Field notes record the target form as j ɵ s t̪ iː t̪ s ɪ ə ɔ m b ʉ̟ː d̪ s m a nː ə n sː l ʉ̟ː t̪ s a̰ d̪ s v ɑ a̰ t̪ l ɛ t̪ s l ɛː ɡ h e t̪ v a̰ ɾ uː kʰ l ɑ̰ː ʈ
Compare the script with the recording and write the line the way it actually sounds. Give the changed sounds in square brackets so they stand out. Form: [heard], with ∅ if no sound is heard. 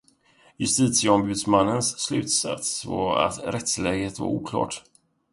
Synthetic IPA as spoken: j ɵ s t̪ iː t̪ s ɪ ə ɔ m b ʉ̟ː d̪ s m a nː ə n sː l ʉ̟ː t̪ s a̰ [t̪] s v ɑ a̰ t̪ [ɾ] ɛ t̪ s l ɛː ɡ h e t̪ v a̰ ɾ uː kʰ l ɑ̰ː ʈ